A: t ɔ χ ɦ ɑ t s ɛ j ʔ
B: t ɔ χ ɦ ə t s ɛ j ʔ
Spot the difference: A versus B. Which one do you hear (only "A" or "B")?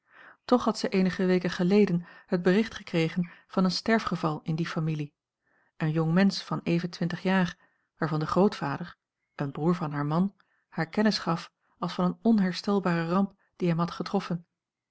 A